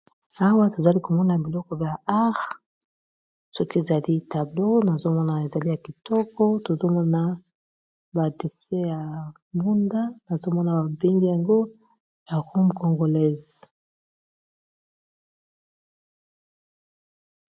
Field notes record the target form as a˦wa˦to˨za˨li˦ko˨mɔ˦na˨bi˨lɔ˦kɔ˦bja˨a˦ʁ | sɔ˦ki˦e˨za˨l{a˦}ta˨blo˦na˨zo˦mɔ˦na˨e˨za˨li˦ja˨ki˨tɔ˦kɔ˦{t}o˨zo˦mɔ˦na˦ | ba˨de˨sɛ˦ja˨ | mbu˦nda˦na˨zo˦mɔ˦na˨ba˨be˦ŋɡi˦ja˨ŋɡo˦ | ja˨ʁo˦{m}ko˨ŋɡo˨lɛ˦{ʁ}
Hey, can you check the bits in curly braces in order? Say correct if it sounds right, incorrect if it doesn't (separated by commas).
incorrect, correct, correct, incorrect